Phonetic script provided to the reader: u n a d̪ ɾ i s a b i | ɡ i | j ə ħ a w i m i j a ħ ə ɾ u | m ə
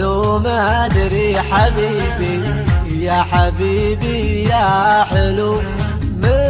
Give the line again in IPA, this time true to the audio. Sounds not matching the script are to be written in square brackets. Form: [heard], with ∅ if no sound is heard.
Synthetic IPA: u [m] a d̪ ɾ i [ħ] a b i | [b] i | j [a] ħ a [b] i [b] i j a ħ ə [l] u | m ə